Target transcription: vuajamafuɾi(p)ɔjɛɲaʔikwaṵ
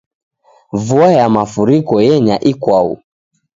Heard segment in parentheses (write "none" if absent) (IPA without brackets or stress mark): k